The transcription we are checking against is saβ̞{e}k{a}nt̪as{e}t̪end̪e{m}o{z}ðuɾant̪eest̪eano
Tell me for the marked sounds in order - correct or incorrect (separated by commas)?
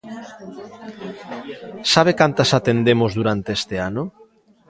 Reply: correct, correct, incorrect, correct, correct